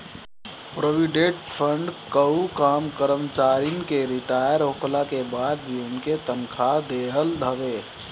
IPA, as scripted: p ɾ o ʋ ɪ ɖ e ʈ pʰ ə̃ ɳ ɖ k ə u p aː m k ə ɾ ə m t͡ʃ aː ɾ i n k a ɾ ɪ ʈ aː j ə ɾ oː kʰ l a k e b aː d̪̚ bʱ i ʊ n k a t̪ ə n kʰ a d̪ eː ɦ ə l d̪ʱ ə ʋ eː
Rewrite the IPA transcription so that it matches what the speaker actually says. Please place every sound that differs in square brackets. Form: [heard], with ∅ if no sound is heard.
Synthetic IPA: p ɾ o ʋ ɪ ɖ e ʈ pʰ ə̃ ɳ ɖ k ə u [k] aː m k ə ɾ ə m t͡ʃ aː ɾ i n k [e] ɾ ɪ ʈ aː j ə ɾ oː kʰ l a k e b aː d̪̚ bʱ i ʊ n k [e] t̪ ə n kʰ a d̪ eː ɦ ə l d̪ʱ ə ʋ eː